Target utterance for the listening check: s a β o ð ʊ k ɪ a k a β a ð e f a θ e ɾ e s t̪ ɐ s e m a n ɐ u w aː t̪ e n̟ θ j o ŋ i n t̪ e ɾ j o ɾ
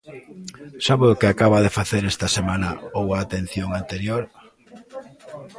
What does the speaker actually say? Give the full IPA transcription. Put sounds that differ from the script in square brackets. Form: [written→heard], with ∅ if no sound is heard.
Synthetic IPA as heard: s a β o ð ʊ k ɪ a k a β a ð e f a θ e ɾ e s t̪ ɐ s e m a n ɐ [u→o] w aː t̪ e n̟ θ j o ŋ [i→a] n t̪ e ɾ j o ɾ